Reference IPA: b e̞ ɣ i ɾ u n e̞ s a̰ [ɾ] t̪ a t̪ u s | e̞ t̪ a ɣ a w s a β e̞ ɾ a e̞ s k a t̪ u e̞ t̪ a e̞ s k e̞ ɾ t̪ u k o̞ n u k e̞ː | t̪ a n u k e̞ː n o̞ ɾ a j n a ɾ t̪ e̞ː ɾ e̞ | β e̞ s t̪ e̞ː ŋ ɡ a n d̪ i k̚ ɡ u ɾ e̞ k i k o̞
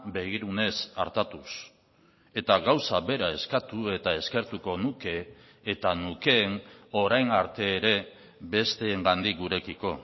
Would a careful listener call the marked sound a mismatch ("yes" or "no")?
no